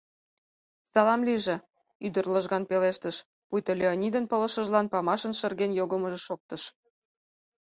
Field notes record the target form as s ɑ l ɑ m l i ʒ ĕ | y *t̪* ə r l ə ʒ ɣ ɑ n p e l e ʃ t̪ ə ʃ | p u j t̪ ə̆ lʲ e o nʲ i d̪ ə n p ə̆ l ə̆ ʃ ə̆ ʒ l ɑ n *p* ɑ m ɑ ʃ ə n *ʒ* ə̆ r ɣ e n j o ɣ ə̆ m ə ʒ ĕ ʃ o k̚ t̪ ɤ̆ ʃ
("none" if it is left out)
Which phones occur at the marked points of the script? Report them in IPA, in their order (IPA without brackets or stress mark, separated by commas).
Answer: d̪, p, ʃ